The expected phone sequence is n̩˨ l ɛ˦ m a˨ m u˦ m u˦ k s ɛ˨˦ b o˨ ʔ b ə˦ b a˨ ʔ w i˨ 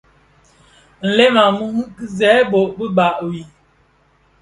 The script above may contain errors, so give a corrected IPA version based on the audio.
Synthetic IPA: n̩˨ l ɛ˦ m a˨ m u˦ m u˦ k z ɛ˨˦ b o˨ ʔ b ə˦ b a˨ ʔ w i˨